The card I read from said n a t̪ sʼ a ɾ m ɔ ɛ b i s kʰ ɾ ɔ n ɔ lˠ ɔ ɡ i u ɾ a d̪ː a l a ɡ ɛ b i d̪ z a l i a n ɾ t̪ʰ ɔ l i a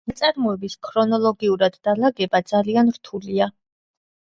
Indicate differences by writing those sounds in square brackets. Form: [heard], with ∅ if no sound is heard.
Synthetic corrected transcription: n a t̪ sʼ a ɾ m ɔ ɛ b i s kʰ ɾ ɔ n ɔ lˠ ɔ ɡ i u ɾ a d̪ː a l a ɡ ɛ b [a] d̪ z a l i a n ɾ t̪ʰ [u] l i a

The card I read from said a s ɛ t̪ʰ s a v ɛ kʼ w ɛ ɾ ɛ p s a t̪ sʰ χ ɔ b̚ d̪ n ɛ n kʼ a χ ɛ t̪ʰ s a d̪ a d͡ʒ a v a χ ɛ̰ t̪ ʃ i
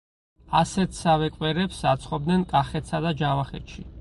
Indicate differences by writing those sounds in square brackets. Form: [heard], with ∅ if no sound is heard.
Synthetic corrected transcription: a s ɛ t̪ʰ s a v ɛ kʼ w ɛ ɾ ɛ p s a t̪ sʰ χ ɔ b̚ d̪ n ɛ n kʼ a χ ɛ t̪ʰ s a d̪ a d͡ʒ a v a χ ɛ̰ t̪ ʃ i

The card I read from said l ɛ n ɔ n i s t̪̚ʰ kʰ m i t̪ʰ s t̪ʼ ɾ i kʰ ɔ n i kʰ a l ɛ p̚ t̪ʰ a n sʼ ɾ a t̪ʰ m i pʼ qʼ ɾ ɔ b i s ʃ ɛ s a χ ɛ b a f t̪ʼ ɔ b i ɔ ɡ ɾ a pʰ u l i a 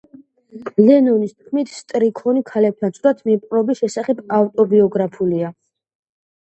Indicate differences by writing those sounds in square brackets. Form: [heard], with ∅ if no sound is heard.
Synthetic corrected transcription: l ɛ n ɔ n i s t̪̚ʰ kʰ m i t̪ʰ s t̪ʼ ɾ i kʰ ɔ n i kʰ a l ɛ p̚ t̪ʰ a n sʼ ɾ a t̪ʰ m i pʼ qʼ ɾ ɔ b i s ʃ ɛ s a χ ɛ b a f t̪ʼ ɔ b i ɔ ɡ ɾ a pʰ u l i a

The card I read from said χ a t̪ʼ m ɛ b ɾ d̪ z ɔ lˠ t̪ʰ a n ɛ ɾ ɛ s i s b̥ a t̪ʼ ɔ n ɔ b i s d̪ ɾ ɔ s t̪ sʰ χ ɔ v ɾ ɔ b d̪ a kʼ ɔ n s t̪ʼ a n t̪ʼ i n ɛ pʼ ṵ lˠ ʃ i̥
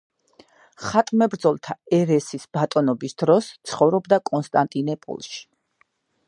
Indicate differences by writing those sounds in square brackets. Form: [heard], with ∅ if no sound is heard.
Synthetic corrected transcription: χ a t̪ʼ m ɛ b ɾ d̪ z ɔ lˠ t̪ʰ a [∅] ɛ ɾ ɛ s i s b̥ a t̪ʼ ɔ n ɔ b i s d̪ ɾ ɔ s t̪ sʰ χ ɔ v ɾ ɔ b d̪ a kʼ ɔ n s t̪ʼ a n t̪ʼ i n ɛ pʼ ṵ lˠ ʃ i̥

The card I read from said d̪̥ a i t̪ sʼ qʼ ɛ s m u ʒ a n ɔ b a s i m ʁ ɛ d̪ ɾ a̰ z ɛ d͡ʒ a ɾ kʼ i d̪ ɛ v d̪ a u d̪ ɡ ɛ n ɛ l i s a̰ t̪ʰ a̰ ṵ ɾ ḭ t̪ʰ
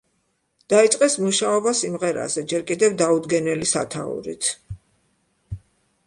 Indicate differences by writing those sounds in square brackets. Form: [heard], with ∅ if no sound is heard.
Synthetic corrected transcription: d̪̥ a i t̪ sʼ qʼ ɛ s m u [ʃ] a [∅] ɔ b a s i m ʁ ɛ [∅] ɾ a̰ z ɛ d͡ʒ [ɛ] ɾ kʼ i d̪ ɛ v d̪ a u d̪ ɡ ɛ n ɛ l i s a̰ t̪ʰ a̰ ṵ ɾ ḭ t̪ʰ

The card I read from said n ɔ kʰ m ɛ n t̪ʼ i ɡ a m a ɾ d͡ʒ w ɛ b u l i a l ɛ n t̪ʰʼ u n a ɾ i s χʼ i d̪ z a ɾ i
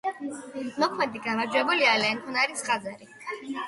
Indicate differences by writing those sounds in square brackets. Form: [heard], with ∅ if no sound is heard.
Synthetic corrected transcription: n ɔ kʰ m ɛ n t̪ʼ i ɡ a m a ɾ d͡ʒ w ɛ b u l i a l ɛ n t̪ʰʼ u n a ɾ i s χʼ [a] d̪ z a ɾ i

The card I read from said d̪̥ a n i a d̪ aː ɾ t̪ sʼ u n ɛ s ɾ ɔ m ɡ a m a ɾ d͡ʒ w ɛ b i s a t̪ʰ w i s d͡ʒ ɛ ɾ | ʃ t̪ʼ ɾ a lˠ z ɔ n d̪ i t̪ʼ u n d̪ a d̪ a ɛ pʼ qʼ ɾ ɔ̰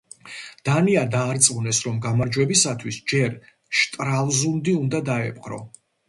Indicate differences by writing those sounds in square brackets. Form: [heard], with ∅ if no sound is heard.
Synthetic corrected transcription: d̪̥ a n i a d̪ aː ɾ t̪ sʼ u n ɛ s ɾ ɔ m ɡ a m a ɾ d͡ʒ w ɛ b i s a t̪ʰ w i s d͡ʒ ɛ ɾ | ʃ t̪ʼ ɾ a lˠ z [u] n d̪ i [∅] u n d̪ a d̪ a ɛ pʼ qʼ ɾ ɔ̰

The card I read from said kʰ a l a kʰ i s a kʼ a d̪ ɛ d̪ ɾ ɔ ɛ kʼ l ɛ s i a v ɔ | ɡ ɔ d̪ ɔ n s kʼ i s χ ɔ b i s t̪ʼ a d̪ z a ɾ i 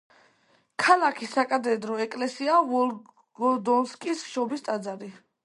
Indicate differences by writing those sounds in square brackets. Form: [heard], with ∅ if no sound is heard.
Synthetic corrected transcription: kʰ a l a kʰ i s a kʼ a d̪ ɛ d̪ ɾ ɔ ɛ kʼ l ɛ s i a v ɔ | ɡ ɔ d̪ ɔ n s kʼ i s [ʃ] ɔ b i s t̪ʼ a d̪ z a ɾ i

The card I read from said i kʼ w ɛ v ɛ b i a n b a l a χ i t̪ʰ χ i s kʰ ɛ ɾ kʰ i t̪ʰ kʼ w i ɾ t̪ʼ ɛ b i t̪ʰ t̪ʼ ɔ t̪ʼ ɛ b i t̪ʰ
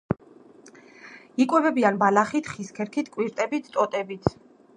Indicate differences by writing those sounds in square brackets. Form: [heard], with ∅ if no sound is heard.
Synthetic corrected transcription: i kʼ w ɛ v ɛ b i a n b a l a χ i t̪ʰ χ i s kʰ ɛ ɾ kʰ i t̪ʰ kʼ w i ɾ t̪ʼ ɛ b i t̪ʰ t̪ʼ ɔ t̪ʼ ɛ b i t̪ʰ

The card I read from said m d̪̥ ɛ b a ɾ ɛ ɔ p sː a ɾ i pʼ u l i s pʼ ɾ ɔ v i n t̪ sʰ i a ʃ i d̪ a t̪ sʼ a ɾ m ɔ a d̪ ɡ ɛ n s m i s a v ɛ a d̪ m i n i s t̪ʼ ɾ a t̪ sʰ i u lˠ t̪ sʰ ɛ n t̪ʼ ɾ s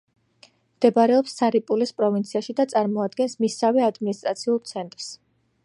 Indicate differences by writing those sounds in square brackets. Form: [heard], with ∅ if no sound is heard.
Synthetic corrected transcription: m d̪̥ ɛ b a ɾ ɛ ɔ p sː a ɾ i pʼ u l i s pʼ ɾ ɔ v i n t̪ sʰ i a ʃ i d̪ a t̪ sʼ a ɾ m ɔ a d̪ ɡ ɛ n s m i s a v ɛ a d̪ m i n i s t̪ʼ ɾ a t̪ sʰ i u lˠ t̪ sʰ ɛ n t̪ʼ ɾ s

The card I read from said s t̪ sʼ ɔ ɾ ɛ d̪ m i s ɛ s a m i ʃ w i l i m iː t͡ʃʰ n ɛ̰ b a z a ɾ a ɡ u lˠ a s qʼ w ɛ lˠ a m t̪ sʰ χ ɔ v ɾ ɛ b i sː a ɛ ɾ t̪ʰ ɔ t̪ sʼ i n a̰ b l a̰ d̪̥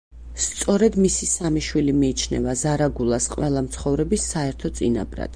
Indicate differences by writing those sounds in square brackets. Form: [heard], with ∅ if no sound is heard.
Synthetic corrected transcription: s t̪ sʼ ɔ ɾ ɛ d̪ m i s [i] s a m i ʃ w i l i m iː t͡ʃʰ n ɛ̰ [v] a z a ɾ a ɡ u lˠ a s qʼ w ɛ lˠ a m t̪ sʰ χ ɔ v ɾ ɛ b i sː a ɛ ɾ t̪ʰ ɔ t̪ sʼ i n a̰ b [ɾ] a̰ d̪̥

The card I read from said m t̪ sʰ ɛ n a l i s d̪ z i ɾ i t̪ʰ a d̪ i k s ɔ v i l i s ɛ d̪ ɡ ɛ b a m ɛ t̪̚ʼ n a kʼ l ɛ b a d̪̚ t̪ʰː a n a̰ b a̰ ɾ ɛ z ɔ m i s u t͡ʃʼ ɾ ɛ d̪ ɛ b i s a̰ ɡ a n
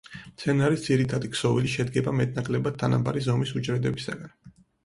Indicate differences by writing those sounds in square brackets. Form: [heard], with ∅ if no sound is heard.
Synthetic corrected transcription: m t̪ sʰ ɛ n a [ɾ] i s d̪ z i ɾ i t̪ʰ a d̪ i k s ɔ v i l i [ʃ] ɛ d̪ ɡ ɛ b a m ɛ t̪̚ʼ n a kʼ l ɛ b a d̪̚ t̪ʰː a n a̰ b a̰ ɾ [i] z ɔ m i s u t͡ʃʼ ɾ ɛ d̪ ɛ b i s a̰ ɡ a n

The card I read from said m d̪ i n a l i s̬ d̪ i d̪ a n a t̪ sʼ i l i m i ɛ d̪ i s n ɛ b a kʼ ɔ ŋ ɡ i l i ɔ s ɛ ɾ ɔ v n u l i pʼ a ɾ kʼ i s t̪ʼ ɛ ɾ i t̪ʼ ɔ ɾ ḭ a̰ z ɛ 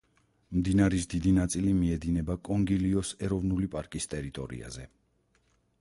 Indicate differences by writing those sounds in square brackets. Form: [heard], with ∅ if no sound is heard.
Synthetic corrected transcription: m d̪ i n a [ɾ] i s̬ d̪ i d̪ [i] n a t̪ sʼ i l i m i ɛ d̪ i [∅] n ɛ b a kʼ ɔ ŋ ɡ i l i ɔ s ɛ ɾ ɔ v n u l i pʼ a ɾ kʼ i s t̪ʼ ɛ ɾ i t̪ʼ ɔ ɾ ḭ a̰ z ɛ

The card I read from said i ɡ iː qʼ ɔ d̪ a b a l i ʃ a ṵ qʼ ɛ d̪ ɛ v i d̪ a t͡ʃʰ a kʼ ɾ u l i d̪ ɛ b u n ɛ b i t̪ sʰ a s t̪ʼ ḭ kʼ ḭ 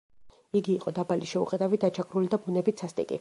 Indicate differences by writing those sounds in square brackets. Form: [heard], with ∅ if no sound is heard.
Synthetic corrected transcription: i ɡ iː qʼ ɔ d̪ a b a l i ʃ [ɛ] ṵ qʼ ɛ d̪ [a] v i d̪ a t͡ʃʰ a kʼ ɾ u l i d̪ [a] b u n ɛ b i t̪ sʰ a s t̪ʼ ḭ kʼ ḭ

